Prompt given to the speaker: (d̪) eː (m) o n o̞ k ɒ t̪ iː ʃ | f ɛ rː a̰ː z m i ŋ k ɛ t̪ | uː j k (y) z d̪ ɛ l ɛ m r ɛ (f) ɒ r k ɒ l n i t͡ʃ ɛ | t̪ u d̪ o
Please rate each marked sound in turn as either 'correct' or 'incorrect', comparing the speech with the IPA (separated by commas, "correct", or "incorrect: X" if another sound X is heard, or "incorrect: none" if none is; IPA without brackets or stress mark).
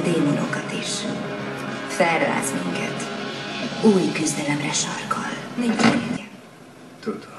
correct, correct, correct, incorrect: ʃ